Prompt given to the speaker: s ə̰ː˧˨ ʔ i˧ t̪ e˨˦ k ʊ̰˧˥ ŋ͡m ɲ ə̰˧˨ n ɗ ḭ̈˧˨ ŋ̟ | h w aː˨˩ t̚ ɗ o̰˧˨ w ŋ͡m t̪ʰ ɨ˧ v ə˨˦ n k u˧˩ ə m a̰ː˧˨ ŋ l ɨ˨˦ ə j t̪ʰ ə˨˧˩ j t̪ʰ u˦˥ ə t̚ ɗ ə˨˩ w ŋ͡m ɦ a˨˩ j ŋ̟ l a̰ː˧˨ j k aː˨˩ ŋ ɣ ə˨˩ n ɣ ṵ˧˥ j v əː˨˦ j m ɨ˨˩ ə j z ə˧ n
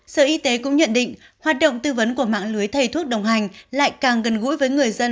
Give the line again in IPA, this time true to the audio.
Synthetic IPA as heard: s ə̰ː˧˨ ʔ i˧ t̪ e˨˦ k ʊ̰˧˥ ŋ͡m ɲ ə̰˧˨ n ɗ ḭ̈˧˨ ŋ̟ | h w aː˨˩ t̚ ɗ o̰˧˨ w ŋ͡m t̪ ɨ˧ v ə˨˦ n k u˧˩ ə m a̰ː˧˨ ŋ l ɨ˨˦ ə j t̪ʰ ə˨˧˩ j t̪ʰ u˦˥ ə t̚ ɗ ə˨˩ w ŋ͡m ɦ a˨˩ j ŋ̟ l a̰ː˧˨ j k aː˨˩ ŋ ɣ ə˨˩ n ɣ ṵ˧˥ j v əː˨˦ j ŋ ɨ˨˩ ə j z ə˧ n

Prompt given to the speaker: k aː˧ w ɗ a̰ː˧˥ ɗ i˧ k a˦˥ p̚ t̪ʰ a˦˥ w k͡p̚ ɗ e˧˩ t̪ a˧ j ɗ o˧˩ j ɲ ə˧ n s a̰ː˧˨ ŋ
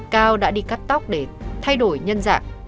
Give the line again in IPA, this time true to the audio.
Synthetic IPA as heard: k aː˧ w ɗ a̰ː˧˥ ɗ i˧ k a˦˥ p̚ t̪ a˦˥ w k͡p̚ ɗ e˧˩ t̪ʰ a˧ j ɗ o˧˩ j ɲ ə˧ n z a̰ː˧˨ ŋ

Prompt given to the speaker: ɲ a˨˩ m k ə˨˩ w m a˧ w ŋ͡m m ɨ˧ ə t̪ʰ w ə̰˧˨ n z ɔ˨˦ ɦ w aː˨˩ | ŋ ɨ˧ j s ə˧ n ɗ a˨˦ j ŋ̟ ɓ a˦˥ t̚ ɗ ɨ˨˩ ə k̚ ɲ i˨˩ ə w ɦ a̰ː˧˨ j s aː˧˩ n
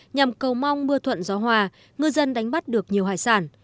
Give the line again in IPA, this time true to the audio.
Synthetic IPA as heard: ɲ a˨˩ m k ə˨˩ w m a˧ w ŋ͡m m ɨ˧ ə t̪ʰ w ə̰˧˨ n z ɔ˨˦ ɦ w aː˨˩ | ŋ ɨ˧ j z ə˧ n ɗ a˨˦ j ŋ̟ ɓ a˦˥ t̚ ɗ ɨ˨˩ ə k̚ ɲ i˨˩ ə w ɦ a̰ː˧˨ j s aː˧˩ n

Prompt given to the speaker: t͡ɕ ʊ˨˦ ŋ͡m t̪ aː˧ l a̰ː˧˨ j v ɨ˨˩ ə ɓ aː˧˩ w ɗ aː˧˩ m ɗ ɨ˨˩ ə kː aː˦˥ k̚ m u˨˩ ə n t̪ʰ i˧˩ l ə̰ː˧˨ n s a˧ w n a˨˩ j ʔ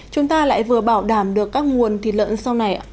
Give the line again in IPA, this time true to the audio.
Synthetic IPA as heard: t͡ɕ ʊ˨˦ ŋ͡m t̪ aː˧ l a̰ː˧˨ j v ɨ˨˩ ə ɓ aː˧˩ w ɗ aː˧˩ m ɗ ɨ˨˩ ə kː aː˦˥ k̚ ŋ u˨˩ ə n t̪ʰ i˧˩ l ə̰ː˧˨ n s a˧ w n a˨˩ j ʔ

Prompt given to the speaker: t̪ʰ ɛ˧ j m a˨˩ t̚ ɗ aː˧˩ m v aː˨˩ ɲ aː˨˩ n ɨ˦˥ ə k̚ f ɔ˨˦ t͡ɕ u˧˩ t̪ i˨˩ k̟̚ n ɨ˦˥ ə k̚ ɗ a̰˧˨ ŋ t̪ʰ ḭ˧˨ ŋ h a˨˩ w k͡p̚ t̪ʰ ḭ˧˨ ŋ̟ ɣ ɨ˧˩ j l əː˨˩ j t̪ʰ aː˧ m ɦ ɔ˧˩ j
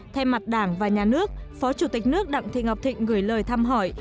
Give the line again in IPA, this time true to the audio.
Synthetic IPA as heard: t̪ʰ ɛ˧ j m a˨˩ t̚ ɗ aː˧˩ ŋ v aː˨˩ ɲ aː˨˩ n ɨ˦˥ ə k̚ f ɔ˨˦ t͡ɕ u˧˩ t̪ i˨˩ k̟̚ n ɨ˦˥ ə k̚ ɗ a̰˧˨ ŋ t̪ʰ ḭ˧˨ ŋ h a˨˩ w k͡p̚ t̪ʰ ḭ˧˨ ŋ̟ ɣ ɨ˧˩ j l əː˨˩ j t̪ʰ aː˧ m ɦ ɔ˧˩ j

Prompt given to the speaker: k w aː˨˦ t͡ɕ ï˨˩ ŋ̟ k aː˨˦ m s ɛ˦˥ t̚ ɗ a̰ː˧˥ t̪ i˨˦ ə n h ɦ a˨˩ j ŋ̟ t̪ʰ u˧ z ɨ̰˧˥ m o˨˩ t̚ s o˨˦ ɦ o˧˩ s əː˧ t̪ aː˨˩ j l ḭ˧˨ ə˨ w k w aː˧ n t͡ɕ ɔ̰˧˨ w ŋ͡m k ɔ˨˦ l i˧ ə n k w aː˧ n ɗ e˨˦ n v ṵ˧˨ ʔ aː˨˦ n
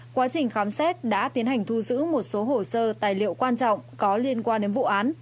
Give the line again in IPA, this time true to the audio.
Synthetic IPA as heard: k w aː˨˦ t͡ɕ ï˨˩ ŋ̟ x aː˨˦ m s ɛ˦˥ t̚ ɗ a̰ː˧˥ t̪ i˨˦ ə n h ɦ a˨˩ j ŋ̟ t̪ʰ u˧ z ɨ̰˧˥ m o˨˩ t̚ s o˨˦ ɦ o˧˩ s əː˧ t̪ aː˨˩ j l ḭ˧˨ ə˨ w k w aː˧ n t͡ɕ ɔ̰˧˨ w ŋ͡m k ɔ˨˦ l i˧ ə n k w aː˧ n ɗ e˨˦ n v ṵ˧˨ ʔ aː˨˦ n

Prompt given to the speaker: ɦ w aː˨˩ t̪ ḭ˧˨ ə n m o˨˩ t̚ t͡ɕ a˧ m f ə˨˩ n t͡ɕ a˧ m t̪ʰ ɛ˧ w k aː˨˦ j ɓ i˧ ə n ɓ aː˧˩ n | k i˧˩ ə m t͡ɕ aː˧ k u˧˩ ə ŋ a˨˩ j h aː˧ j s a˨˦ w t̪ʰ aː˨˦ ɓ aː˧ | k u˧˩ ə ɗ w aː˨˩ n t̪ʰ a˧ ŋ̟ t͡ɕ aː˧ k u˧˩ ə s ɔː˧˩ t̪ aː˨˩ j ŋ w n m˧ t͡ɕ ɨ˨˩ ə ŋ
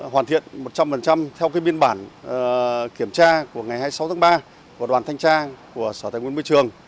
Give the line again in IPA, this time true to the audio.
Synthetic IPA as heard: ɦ w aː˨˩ t̪ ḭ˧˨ ə n m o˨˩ t̚ t͡ɕ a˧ m f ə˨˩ n t͡ɕ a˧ m t̪ʰ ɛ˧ w k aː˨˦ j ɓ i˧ ə n ɓ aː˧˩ n | k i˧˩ ə m t͡ɕ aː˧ k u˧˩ ə ŋ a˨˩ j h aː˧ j s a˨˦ w t̪ʰ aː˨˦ ɓ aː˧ | k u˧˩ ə ɗ w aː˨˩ n t̪ʰ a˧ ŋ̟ t͡ɕ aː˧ k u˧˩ ə s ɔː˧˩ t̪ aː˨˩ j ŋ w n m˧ t͡ɕ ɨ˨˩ ə ŋ

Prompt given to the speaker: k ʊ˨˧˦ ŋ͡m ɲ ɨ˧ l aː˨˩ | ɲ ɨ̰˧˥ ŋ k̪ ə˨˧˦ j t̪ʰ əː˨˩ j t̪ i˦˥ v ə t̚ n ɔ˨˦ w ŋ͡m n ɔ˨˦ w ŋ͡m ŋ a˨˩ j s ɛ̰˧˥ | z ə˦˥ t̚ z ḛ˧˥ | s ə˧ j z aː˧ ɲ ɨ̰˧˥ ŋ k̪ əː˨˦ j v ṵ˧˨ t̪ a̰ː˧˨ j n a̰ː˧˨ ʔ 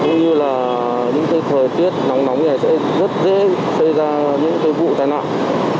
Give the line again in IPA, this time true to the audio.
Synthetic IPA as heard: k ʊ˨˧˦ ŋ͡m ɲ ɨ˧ l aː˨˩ | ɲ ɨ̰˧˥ ŋ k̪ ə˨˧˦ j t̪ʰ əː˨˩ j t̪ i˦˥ ə t̚ n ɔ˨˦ w ŋ͡m n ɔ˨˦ w ŋ͡m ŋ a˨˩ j s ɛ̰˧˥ | z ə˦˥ t̚ z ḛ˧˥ | s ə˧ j z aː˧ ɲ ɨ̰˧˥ ŋ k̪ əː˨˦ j v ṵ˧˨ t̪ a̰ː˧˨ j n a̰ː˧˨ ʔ

